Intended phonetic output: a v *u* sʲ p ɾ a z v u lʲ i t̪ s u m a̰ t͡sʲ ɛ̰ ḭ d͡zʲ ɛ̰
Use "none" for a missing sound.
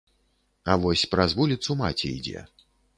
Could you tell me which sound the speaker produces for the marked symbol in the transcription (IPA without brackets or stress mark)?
ɔ